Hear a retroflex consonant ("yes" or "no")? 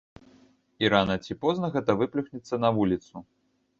no